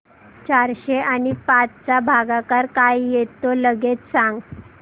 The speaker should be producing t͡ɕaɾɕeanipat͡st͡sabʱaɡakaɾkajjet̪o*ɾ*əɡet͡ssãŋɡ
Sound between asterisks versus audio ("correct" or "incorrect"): incorrect